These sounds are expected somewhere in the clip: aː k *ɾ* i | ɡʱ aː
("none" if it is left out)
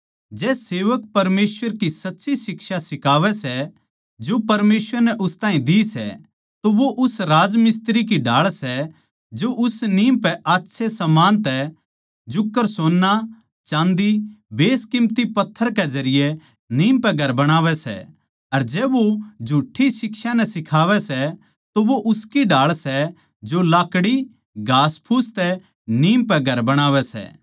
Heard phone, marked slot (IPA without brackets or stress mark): ɽ